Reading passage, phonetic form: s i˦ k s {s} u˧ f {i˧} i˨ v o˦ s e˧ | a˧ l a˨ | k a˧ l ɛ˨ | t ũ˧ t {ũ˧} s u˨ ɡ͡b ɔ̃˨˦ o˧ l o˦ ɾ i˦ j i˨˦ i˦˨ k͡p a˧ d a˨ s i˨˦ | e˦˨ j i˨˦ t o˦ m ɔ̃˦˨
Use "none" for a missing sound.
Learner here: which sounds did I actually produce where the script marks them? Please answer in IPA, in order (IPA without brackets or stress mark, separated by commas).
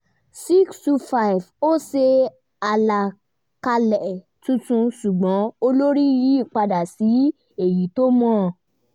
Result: t, a˧, ũ˧